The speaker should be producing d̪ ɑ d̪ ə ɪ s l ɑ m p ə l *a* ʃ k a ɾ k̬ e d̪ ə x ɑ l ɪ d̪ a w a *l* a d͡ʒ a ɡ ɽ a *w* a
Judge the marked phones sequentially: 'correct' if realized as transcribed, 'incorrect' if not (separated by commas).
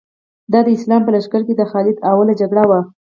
correct, correct, correct